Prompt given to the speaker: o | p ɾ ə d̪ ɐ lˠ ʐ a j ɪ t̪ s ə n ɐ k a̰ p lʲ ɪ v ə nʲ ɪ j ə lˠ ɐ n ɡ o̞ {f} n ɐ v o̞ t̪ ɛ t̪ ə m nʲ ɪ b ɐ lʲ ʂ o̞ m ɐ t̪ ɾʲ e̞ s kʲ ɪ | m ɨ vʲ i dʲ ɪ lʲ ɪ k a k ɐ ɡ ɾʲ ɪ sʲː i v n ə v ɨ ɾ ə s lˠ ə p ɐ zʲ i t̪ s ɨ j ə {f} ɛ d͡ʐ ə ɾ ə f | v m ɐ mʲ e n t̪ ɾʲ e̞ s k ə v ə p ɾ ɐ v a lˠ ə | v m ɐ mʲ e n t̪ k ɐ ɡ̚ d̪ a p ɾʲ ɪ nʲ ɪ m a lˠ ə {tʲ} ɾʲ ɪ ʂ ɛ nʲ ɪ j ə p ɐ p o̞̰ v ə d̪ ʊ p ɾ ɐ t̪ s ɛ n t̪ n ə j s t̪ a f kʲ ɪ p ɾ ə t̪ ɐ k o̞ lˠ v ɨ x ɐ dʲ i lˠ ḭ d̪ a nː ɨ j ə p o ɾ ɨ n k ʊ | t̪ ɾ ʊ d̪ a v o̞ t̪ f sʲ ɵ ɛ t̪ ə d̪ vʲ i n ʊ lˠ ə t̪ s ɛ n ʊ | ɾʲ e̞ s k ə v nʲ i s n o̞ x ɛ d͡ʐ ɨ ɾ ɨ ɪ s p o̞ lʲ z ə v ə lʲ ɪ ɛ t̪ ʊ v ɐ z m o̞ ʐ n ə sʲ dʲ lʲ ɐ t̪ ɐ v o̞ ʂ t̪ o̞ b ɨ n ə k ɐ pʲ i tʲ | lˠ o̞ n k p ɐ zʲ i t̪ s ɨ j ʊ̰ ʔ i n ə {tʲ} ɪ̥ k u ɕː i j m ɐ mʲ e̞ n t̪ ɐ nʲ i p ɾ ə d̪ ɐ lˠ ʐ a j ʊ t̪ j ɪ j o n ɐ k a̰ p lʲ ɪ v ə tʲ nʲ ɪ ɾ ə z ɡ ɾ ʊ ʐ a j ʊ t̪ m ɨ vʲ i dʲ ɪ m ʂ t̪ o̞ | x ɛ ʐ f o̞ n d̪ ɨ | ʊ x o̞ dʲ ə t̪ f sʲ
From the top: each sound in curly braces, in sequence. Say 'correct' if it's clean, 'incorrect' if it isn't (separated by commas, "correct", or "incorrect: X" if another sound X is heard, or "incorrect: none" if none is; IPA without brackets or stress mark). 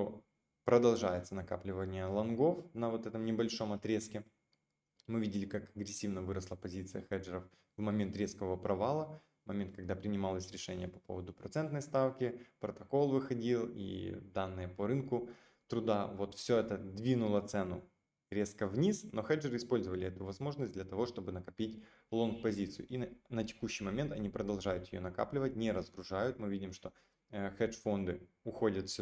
correct, incorrect: x, incorrect: sʲ, correct